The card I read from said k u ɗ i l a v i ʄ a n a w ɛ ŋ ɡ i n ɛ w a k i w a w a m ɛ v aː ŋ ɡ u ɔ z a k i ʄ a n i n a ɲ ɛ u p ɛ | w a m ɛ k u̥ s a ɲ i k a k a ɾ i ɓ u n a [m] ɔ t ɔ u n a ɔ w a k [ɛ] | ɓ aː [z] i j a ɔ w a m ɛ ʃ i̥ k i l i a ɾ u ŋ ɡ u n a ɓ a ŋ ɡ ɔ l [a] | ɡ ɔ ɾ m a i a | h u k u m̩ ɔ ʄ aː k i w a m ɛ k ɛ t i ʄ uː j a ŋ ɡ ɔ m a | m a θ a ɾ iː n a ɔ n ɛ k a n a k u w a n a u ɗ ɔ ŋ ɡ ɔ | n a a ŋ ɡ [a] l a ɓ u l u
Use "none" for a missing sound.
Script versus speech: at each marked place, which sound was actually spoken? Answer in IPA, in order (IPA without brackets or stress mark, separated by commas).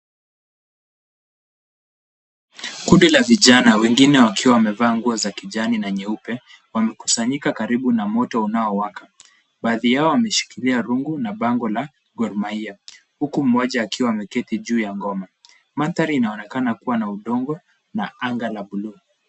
m, a, ð, a, a